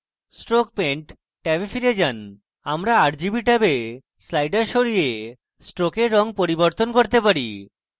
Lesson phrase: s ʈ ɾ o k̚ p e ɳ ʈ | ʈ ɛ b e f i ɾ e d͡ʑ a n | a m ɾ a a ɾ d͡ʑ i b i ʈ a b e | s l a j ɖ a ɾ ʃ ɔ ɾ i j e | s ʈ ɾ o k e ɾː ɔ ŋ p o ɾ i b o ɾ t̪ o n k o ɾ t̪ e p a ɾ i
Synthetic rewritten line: s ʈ ɾ o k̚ p e ɳ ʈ | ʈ ɛ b e f i ɾ e d͡ʑ a n | a m ɾ a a ɾ d͡ʑ i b i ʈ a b e | s l a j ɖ a ɾ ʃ o ɾ i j e | s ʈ ɾ o k e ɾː ɔ ŋ p o ɾ i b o ɾ t̪ o n k o ɾ t̪ e p a ɾ i